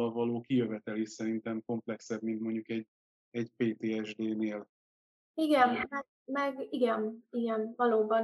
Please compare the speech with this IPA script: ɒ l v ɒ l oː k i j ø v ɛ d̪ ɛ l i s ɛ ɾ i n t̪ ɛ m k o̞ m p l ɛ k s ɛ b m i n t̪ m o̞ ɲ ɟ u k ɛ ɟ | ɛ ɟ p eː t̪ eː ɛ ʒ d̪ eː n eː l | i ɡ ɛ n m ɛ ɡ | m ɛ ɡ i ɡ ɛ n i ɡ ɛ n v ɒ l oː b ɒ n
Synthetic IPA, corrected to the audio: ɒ l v ɒ l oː k i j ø v ɛ t̪ ɛ l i s ɛ ɾ i n t̪ ɛ m k o̞ m p l ɛ k s ɛ b m i n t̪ m o̞ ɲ ɟ u k ɛ ɟ | ɛ ɟ p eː t̪ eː ɛ ʒ d̪ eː n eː l | i ɡ ɛ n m ɛ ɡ | m ɛ ɡ i ɡ ɛ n i ɡ ɛ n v ɒ l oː b ɒ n